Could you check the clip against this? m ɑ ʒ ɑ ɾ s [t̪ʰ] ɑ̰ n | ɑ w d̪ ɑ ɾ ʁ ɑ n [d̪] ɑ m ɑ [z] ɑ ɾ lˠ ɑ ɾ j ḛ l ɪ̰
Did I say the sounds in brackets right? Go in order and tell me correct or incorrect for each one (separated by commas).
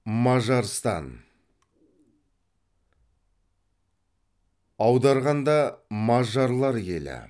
incorrect, correct, incorrect